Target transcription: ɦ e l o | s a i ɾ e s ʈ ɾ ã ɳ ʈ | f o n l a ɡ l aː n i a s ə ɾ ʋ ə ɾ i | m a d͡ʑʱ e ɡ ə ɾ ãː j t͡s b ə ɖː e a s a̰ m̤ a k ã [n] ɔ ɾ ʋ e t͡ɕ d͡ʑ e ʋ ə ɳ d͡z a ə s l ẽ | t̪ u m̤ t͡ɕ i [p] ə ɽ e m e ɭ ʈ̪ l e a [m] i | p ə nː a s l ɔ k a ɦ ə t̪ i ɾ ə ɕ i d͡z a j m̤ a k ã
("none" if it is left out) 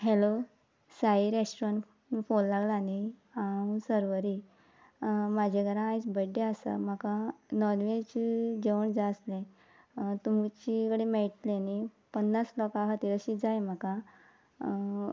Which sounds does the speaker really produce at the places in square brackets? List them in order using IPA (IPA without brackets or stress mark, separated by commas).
n, k, n